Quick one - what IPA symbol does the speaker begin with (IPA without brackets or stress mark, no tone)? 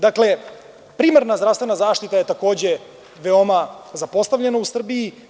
d̪